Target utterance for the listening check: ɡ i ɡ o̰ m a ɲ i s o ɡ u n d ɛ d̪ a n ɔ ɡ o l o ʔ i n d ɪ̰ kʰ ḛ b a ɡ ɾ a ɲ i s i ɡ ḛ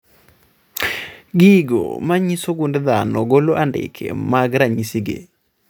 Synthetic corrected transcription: ɡ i ɡ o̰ m a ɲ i s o ɡ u n d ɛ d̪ a n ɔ ɡ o l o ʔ a n d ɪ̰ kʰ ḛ m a ɡ ɾ a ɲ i s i ɡ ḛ